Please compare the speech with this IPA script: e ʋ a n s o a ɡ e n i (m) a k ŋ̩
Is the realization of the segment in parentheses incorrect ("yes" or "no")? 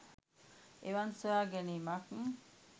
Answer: no